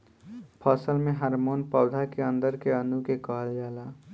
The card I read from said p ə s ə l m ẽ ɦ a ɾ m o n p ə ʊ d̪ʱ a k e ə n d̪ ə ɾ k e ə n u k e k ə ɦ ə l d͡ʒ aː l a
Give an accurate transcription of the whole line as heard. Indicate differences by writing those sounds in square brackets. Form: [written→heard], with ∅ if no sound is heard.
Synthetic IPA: [p→pʰ] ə s ə l m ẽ ɦ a ɾ m o n p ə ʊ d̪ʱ a k e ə n d̪ ə ɾ k e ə n u k e k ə ɦ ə l d͡ʒ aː l a